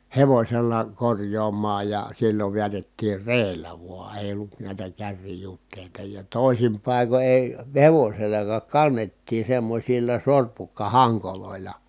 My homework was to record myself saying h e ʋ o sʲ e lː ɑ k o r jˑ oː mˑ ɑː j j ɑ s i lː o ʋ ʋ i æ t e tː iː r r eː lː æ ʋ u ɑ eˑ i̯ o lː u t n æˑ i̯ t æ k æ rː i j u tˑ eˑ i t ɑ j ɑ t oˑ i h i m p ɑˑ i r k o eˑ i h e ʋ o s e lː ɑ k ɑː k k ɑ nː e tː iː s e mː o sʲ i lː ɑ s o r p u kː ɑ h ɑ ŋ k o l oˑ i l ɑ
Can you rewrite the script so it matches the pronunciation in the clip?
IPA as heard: h e ʋ o sʲ e lː ɑ k o r jˑ oː mˑ ɑː j j ɑ s i lː o ʋ ʋ i æ t e tː iː r r eː lː æ ʋ u ɑ eˑ i̯ o lː u t n æˑ i̯ t æ k æ rː i j u tˑ eˑ i t ɑ j ɑ t oˑ i s i m p ɑˑ i k o eˑ i h e ʋ o s e lː ɑ k ɑː k k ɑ nː e tː iː s e mː o sʲ i lː ɑ s o r p u kː ɑ h ɑ ŋ k o l oˑ i l ɑ